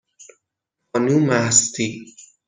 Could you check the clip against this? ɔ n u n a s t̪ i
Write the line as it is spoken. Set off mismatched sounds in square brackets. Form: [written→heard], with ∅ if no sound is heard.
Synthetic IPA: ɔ n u [n→m] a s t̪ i